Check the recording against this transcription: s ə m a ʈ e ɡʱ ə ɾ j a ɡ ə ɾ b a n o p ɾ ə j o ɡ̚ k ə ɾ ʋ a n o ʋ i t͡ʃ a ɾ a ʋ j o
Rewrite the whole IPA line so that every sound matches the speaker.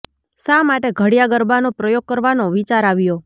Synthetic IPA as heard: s a m a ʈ e ɡʱ ə ɽ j a ɡ ə ɾ b a n o p ɾ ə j o ɡ̚ k ə ɾ ʋ a n o ʋ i t͡ʃ a ɾ a ʋ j o